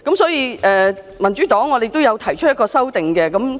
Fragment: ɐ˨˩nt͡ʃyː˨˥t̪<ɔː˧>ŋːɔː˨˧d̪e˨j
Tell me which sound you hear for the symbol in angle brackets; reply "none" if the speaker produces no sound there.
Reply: ɔː˨˥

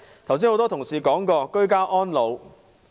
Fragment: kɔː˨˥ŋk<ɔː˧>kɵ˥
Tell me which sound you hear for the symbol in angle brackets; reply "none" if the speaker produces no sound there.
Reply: ɔː˧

